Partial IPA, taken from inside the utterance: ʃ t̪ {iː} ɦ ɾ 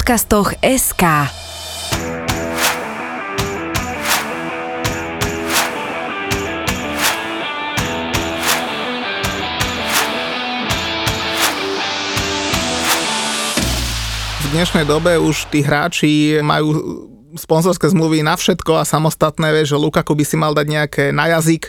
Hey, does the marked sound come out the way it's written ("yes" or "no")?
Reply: yes